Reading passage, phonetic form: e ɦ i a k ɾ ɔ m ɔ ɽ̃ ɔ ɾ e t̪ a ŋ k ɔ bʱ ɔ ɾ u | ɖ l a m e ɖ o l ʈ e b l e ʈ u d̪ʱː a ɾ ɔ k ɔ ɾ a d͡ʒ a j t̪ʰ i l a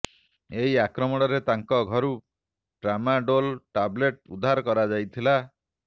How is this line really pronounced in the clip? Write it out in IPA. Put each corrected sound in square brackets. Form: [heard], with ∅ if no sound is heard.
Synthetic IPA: e ɦ i a k ɾ ɔ m ɔ ɽ̃ ɔ ɾ e t̪ a ŋ k ɔ [ɡʱ] ɔ ɾ u | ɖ [ɾ] a m [a] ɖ o l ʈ [a] b l e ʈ u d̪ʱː a ɾ ɔ k ɔ ɾ a d͡ʒ a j t̪ʰ i l a

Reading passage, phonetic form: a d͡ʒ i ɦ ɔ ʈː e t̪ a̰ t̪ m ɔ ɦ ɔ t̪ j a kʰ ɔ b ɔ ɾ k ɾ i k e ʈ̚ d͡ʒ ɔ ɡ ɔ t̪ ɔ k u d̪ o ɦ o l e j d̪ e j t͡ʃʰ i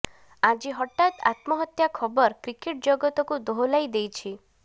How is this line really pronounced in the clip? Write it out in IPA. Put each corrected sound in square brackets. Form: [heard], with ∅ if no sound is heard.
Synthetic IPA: a d͡ʒ i ɦ ɔ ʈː [a] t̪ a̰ t̪ m ɔ ɦ ɔ t̪ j a kʰ ɔ b ɔ ɾ k ɾ i k e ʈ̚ d͡ʒ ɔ ɡ ɔ t̪ ɔ k u d̪ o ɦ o l [a] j d̪ e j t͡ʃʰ i

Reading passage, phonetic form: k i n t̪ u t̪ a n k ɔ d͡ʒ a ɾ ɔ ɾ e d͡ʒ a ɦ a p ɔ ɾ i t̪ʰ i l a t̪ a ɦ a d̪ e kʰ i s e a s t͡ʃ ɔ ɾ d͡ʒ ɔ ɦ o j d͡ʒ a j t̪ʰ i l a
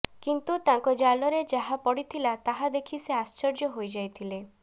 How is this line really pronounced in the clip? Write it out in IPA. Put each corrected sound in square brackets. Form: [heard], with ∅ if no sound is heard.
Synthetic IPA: k i n t̪ u t̪ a [ŋ] k ɔ d͡ʒ a [l] ɔ ɾ e d͡ʒ a ɦ a p ɔ [ɽ] i t̪ʰ i l a t̪ a ɦ a d̪ e kʰ i s e a s t͡ʃ ɔ ɾ d͡ʒ ɔ ɦ o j d͡ʒ a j t̪ʰ i l [e]

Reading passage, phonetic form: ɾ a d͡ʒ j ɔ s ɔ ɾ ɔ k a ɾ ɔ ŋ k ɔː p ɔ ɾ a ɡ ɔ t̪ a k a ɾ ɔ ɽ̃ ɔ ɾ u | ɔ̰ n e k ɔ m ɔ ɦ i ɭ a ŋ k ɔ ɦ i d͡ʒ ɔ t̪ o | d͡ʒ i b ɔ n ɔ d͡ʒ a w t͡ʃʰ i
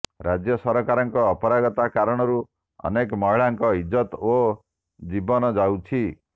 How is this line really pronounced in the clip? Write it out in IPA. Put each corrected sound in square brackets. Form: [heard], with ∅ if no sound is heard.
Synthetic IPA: ɾ a d͡ʒ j ɔ s ɔ ɾ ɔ k a ɾ ɔ ŋ k ɔː p ɔ ɾ a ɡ ɔ t̪ a k a ɾ ɔ ɽ̃ ɔ ɾ u | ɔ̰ n e k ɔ m ɔ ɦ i ɭ a ŋ k ɔ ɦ i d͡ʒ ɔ t̪ o | d͡ʒ i b ɔ n ɔ d͡ʒ a w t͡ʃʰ i

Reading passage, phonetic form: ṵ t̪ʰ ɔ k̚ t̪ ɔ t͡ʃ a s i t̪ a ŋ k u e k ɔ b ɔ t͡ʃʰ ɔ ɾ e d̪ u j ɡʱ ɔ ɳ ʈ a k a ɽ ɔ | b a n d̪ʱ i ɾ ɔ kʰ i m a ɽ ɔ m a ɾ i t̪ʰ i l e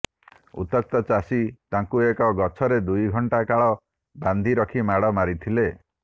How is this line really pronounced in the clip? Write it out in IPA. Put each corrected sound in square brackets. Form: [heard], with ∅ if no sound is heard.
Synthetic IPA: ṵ [t̪] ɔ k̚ t̪ ɔ t͡ʃ a s i t̪ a ŋ k u e k ɔ [ɡ] ɔ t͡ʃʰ ɔ ɾ e d̪ u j ɡʱ ɔ ɳ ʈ a k a [ɭ] ɔ | b a n d̪ʱ i ɾ ɔ kʰ i m a ɽ ɔ m a ɾ i t̪ʰ i l e

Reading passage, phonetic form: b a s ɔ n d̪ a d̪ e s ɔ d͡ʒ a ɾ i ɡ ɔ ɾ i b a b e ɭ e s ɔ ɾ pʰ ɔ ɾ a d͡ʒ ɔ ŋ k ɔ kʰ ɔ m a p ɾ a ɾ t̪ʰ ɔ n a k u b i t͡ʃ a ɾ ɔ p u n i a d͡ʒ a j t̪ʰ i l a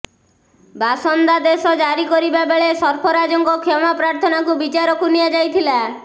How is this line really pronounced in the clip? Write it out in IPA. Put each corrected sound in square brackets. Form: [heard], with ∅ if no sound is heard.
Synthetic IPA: b a s ɔ n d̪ a d̪ e s ɔ d͡ʒ a ɾ i [k] ɔ ɾ i b a b e ɭ e s ɔ ɾ pʰ ɔ ɾ a d͡ʒ ɔ ŋ k ɔ kʰ ɔ m a p ɾ a ɾ t̪ʰ ɔ n a k u b i t͡ʃ a ɾ ɔ [k] u n i a d͡ʒ a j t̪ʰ i l a

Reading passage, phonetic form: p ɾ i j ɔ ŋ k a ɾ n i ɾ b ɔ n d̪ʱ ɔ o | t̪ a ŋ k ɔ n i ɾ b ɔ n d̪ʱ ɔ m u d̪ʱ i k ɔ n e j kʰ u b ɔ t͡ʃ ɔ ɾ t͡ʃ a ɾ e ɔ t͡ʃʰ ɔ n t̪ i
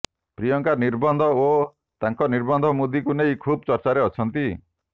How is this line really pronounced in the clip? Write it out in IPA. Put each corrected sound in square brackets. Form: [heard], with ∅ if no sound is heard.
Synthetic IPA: p ɾ i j ɔ ŋ k a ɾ n i ɾ b ɔ n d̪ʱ ɔ o | t̪ a ŋ k ɔ n i ɾ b ɔ n d̪ʱ ɔ m u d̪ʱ i k [u] n e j kʰ u b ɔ t͡ʃ ɔ ɾ t͡ʃ a ɾ e ɔ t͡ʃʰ ɔ n t̪ i

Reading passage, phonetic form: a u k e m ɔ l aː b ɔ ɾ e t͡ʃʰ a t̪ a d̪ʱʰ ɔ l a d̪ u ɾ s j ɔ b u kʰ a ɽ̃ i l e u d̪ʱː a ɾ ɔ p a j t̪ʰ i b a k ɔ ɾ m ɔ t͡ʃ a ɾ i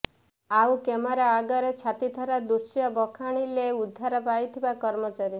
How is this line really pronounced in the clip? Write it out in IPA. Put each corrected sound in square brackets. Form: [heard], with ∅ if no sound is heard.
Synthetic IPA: a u k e m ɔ [ɾ] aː [ɡ] ɔ ɾ e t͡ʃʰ a t̪ [i] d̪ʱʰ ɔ [ɾ] a d̪ u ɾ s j ɔ b [ɔ] kʰ a ɽ̃ i l e u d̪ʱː a ɾ ɔ p a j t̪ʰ i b a k ɔ ɾ m ɔ t͡ʃ a ɾ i

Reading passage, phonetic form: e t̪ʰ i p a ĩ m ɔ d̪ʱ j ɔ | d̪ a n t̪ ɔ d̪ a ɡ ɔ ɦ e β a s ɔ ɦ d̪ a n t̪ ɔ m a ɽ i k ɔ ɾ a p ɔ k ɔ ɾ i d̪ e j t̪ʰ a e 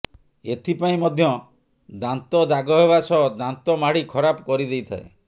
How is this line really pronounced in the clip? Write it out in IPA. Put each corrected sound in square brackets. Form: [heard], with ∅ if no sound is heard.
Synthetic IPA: e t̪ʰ i p a ĩ m ɔ d̪ʱ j ɔ | d̪ a n t̪ ɔ d̪ a ɡ ɔ ɦ e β a s ɔ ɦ d̪ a n t̪ ɔ m a ɽ i [kʰ] ɔ ɾ a p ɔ k ɔ ɾ i d̪ e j t̪ʰ a e

